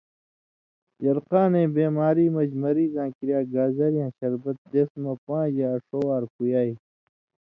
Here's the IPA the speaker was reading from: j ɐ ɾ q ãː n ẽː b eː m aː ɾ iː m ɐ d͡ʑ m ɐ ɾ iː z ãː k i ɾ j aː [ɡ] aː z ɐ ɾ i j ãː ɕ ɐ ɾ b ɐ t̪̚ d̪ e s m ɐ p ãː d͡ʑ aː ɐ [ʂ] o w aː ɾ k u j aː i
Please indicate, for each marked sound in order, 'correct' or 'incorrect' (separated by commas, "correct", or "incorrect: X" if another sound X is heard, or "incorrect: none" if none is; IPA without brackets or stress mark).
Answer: correct, correct